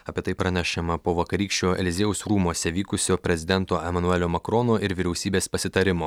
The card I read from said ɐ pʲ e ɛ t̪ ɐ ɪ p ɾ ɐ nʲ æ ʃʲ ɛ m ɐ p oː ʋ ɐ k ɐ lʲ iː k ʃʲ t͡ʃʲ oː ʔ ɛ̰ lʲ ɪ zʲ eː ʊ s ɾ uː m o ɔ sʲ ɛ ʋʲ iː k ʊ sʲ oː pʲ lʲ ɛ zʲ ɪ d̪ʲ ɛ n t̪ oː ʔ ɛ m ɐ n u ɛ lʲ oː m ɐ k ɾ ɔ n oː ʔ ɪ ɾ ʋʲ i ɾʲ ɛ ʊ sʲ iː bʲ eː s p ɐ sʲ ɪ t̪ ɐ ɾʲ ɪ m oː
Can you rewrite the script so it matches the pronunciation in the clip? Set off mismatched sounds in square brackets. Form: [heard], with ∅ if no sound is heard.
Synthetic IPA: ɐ pʲ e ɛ t̪ ɐ ɪ p ɾ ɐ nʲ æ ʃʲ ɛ m ɐ p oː ʋ ɐ k ɐ [ɾʲ] iː k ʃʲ t͡ʃʲ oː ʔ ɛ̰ lʲ ɪ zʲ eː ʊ s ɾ uː m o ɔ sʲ ɛ ʋʲ iː k ʊ sʲ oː pʲ [ɾʲ] ɛ zʲ ɪ d̪ʲ ɛ n t̪ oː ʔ ɛ m ɐ n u ɛ lʲ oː m ɐ k ɾ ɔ n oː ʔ ɪ ɾ ʋʲ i ɾʲ ɛ ʊ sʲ iː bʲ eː s p ɐ sʲ ɪ t̪ ɐ ɾʲ ɪ m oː